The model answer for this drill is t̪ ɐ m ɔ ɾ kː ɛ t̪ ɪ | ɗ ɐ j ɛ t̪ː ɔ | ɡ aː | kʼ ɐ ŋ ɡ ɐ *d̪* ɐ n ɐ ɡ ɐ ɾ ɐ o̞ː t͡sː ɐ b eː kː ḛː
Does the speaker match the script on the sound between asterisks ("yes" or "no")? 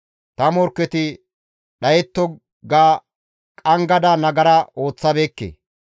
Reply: yes